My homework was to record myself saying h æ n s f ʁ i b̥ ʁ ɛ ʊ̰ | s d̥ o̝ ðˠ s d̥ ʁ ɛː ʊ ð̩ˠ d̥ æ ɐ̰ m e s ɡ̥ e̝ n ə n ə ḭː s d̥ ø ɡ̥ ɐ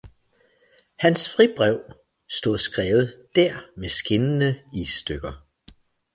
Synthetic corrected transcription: h æ n s f ʁ i b̥ ʁ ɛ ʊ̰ | s d̥ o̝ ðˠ s ɡ̥ ʁ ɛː ʊ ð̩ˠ d̥ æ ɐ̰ m e s ɡ̥ e̝ n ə n ə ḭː s d̥ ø ɡ̥ ɐ